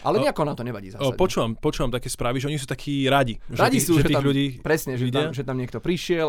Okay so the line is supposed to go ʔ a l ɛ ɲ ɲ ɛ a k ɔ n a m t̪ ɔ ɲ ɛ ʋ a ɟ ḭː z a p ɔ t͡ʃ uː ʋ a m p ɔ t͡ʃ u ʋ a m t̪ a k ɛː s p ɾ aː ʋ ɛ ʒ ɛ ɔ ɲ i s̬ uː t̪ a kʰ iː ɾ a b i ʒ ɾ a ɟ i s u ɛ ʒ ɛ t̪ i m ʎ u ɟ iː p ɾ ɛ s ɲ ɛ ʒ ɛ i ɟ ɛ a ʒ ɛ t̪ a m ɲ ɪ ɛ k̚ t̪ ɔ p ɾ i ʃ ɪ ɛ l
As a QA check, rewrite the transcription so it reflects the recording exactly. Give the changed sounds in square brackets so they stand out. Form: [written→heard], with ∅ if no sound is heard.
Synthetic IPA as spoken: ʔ a l ɛ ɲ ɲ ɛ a k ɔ n a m t̪ ɔ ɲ ɛ ʋ a ɟ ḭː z a p ɔ t͡ʃ uː ʋ a m p ɔ t͡ʃ [u→uː] ʋ a m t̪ a k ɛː s p ɾ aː ʋ [ɛ→i] ʒ ɛ ɔ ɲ i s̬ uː t̪ a kʰ iː ɾ a [b→ɟ] i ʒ ɾ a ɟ i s u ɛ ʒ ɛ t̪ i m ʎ u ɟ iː p ɾ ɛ s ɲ ɛ ʒ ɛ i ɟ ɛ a ʒ ɛ t̪ a m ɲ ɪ ɛ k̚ t̪ ɔ p ɾ i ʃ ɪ ɛ l